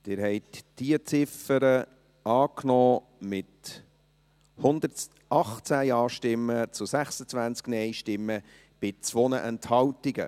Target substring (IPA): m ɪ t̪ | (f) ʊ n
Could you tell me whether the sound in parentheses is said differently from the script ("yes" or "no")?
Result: yes